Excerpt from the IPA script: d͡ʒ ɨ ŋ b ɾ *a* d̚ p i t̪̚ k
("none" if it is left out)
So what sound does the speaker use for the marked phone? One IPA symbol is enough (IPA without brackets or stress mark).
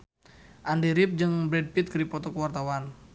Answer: ɛ